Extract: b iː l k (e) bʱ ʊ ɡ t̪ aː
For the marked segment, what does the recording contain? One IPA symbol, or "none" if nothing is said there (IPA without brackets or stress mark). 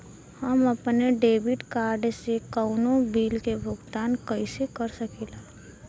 e